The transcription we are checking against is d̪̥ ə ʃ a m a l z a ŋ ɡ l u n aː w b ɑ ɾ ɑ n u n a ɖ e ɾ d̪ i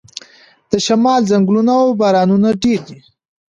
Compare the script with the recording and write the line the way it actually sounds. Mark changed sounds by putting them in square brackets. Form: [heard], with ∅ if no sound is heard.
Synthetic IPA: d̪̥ ə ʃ a m [ɑ] l z a ŋ ɡ l u n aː w b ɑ ɾ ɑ n u n a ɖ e ɾ d̪ i